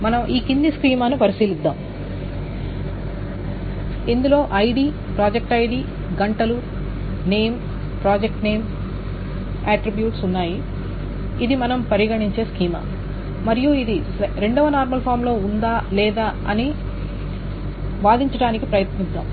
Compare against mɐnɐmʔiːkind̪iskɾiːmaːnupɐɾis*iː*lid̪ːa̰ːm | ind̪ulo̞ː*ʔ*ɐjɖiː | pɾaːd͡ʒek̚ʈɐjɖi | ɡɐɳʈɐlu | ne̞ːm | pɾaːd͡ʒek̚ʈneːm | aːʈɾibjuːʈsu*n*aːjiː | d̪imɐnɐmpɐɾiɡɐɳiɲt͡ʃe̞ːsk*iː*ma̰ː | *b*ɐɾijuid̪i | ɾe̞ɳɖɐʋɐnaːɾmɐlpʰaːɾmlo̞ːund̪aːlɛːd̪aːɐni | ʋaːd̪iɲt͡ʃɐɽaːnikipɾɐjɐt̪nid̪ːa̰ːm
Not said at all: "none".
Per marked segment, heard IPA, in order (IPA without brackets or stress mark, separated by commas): iː, ʔ, nː, iː, m